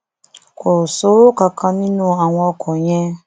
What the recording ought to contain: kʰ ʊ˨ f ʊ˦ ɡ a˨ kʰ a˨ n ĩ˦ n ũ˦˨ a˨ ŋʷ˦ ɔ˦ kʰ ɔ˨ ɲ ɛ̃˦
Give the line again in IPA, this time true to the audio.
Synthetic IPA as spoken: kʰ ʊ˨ s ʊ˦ k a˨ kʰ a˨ n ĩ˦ n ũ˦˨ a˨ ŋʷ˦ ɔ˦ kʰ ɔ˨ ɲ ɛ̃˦